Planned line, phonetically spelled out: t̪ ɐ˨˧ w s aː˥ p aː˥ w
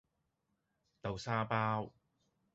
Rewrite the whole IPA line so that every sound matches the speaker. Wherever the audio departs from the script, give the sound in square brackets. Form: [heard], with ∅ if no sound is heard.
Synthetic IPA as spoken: t̪ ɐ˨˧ w s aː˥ p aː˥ w

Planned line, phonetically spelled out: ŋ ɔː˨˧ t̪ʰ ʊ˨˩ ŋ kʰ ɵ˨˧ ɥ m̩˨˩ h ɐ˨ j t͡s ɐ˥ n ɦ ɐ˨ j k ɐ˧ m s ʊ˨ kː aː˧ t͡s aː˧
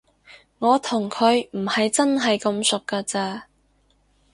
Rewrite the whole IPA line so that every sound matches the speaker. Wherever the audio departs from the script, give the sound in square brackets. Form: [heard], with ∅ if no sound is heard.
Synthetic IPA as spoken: ŋ ɔː˨˧ t̪ʰ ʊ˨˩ ŋ kʰ ɵ˨˧ ɥ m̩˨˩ h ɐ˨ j t͡s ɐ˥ n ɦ ɐ˨ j k ɐ˧ m s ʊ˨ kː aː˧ t͡s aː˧

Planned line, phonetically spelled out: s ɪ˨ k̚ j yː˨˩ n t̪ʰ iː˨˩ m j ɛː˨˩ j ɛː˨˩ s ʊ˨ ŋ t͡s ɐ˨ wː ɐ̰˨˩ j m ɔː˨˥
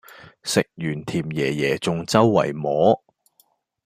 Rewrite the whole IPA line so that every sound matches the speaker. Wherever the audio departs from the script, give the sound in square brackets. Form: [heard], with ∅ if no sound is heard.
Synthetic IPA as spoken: s ɪ˨ k̚ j yː˨˩ n t̪ʰ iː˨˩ m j ɛː˨˩ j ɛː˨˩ [t͡s] ʊ˨ ŋ t͡s [ɐ˥] wː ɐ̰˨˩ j m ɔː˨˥

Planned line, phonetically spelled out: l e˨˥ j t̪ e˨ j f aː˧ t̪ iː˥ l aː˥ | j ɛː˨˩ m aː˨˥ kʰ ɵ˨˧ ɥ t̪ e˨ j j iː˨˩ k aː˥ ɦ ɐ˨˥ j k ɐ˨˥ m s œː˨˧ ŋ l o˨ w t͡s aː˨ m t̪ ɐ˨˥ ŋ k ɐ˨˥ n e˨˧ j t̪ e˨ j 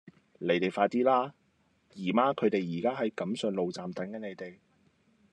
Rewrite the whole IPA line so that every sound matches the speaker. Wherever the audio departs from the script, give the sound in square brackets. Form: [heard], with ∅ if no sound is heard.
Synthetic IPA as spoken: l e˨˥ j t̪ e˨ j f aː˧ t̪ iː˥ l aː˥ | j [iː˨˩] m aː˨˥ kʰ ɵ˨˧ ɥ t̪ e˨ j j iː˨˩ k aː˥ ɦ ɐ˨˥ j k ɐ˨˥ m s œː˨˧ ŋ l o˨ w t͡s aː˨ m t̪ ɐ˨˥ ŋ k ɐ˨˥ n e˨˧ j t̪ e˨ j

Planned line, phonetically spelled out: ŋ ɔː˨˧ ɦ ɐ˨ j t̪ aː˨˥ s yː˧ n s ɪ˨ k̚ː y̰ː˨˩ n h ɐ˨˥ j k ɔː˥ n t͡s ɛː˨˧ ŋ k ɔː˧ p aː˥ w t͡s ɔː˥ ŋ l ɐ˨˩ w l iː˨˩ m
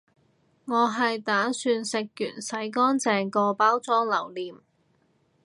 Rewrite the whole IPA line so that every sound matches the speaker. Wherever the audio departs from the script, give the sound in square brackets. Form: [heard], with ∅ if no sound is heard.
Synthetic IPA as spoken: ŋ ɔː˨˧ ɦ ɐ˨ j t̪ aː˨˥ s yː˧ n s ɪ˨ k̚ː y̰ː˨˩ n [s] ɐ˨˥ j k ɔː˥ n t͡s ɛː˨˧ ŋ k ɔː˧ p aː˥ w t͡s ɔː˥ ŋ l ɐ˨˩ w l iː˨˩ m

